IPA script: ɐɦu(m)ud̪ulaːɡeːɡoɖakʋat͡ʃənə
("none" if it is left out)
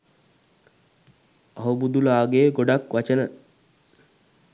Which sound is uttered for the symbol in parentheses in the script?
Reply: b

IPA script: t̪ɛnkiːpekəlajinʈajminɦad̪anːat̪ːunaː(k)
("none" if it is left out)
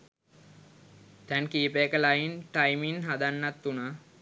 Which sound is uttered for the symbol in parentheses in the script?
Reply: none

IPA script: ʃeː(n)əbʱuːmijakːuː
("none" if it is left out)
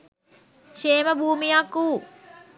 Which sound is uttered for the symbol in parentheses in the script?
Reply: m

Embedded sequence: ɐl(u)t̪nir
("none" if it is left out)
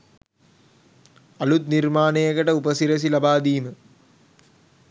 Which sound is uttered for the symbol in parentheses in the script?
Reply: u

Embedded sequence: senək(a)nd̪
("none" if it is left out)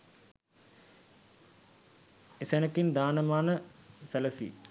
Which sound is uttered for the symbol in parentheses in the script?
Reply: i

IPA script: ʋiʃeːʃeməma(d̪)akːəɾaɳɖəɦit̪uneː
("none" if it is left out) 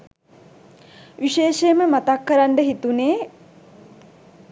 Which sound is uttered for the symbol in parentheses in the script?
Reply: t̪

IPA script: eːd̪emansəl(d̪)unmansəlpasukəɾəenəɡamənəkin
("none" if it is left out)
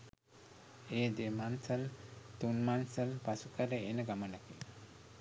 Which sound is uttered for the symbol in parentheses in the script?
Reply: t̪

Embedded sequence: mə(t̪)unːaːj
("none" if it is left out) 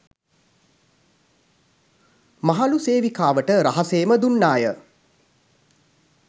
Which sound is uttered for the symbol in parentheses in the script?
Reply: d̪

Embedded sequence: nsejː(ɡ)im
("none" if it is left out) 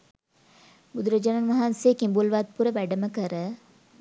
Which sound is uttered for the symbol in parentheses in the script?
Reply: k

